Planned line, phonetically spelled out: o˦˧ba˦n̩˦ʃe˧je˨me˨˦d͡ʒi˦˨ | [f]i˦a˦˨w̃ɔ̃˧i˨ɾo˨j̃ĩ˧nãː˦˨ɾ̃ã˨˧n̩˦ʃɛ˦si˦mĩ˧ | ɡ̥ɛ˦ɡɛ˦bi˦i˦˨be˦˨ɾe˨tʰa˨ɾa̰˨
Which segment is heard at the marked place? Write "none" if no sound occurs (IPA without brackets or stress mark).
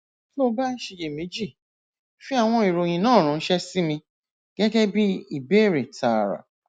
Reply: f